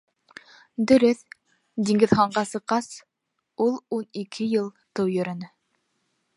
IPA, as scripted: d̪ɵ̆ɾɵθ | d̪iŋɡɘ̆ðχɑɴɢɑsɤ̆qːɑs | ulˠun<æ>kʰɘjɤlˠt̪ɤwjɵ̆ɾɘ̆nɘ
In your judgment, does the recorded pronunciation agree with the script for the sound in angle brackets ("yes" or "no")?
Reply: no